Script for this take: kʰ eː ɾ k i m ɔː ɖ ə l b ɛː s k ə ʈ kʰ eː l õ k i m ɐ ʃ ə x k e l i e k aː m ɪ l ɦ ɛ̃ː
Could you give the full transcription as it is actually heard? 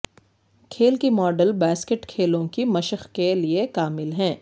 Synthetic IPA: kʰ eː l k i m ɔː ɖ ə l b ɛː s k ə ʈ kʰ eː l õ k i m ɐ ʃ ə x k e l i e k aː m ɪ l ɦ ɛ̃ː